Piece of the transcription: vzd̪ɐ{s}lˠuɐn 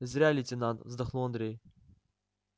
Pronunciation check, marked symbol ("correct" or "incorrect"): incorrect